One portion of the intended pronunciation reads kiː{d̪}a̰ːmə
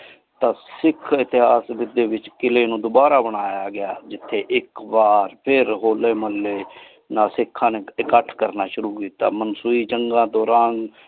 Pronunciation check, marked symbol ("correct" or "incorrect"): incorrect